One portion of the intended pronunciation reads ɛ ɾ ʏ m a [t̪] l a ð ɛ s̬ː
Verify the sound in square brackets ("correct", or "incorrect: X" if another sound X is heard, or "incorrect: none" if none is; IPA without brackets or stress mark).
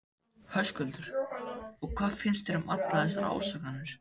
correct